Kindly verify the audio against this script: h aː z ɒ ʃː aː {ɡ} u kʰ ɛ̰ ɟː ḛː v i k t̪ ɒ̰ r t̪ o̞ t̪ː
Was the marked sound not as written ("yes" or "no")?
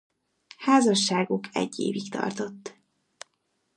no